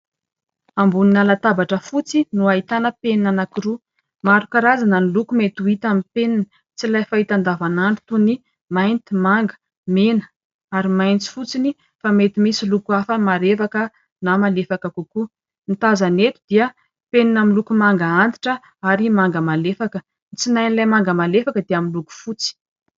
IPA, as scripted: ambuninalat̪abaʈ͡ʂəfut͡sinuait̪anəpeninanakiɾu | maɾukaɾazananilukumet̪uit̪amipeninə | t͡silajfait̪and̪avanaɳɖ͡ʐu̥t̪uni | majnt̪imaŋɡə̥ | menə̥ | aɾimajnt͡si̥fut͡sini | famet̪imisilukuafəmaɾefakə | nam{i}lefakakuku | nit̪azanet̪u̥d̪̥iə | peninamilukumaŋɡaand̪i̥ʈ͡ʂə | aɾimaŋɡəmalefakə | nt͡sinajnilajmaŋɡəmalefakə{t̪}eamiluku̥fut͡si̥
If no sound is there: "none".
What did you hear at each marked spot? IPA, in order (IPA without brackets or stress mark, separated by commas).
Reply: a, d̪